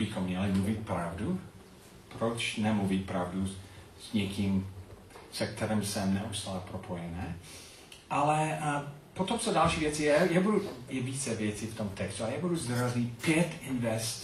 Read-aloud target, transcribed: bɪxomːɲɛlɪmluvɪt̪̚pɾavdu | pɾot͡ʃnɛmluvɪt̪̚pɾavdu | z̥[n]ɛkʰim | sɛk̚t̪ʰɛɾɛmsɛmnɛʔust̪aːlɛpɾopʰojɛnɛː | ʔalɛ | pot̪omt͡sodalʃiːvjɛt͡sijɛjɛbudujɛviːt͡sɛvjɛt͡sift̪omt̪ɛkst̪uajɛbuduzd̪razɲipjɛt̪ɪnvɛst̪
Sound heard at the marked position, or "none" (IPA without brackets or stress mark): ɲ